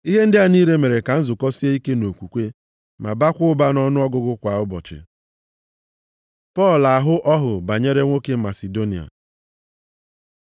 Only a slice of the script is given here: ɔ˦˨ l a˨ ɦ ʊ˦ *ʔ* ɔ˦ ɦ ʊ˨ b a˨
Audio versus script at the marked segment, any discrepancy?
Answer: no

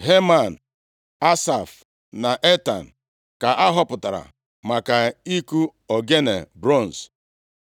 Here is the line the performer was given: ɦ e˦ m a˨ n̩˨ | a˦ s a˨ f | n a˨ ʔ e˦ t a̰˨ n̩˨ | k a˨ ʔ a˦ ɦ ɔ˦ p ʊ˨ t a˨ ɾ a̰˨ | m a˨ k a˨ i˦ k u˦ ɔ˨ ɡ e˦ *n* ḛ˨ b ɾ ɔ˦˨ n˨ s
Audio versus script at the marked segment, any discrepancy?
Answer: no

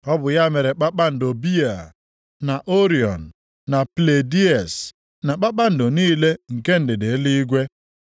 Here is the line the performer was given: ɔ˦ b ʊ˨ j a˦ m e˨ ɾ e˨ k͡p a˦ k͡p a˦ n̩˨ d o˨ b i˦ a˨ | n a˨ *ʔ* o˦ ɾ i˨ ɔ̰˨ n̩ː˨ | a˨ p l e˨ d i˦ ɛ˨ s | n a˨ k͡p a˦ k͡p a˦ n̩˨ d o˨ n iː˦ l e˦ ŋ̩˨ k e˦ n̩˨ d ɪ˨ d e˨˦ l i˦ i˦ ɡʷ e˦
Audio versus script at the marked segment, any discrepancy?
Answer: no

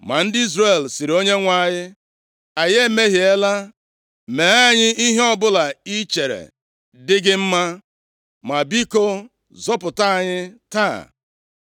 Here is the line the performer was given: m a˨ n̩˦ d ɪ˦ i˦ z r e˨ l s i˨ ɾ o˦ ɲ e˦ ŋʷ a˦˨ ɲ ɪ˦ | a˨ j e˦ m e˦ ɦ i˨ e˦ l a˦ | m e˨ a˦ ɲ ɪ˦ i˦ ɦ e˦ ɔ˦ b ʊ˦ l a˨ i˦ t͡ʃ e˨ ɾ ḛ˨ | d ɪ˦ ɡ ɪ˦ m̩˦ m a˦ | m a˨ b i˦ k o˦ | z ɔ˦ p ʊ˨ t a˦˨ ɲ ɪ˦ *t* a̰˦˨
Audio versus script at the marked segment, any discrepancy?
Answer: no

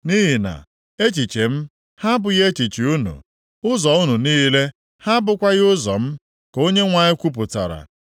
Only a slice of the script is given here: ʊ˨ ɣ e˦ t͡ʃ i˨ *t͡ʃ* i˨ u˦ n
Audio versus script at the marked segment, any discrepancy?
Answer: no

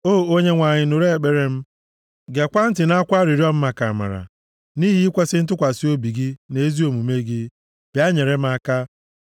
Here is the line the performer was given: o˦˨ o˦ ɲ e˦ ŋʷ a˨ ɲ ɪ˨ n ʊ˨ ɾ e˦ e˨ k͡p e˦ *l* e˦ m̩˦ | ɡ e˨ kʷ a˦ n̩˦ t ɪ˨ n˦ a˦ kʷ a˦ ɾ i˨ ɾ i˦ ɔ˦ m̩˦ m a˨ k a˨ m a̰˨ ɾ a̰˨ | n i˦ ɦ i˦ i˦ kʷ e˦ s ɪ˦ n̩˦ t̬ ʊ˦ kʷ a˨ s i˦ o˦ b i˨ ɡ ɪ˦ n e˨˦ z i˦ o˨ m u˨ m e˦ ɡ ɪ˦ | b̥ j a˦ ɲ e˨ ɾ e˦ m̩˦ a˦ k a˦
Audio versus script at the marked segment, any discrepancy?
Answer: yes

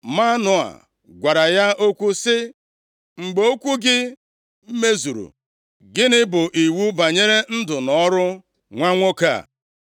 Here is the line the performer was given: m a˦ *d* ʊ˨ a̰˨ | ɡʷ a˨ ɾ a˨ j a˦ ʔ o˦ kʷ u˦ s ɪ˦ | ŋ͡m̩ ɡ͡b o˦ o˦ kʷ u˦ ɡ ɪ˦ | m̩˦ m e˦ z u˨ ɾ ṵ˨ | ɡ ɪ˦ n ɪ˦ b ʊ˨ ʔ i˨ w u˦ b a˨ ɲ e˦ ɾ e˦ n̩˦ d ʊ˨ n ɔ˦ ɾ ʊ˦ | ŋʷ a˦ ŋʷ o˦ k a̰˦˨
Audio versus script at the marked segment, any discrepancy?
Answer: yes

